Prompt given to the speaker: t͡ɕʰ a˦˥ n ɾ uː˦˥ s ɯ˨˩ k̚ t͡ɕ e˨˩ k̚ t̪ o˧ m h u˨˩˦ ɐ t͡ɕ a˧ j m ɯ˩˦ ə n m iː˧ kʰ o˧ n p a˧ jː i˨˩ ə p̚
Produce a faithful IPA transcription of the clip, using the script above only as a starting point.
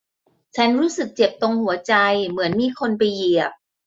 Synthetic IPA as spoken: t͡ɕʰ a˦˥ n ɾ uː˦˥ s ɯ˨˩ k̚ t͡ɕ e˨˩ p̚ t̪ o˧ ŋ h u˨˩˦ ɐ t͡ɕ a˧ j m ɯ˩˦ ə n m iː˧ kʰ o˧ n p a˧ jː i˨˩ ə p̚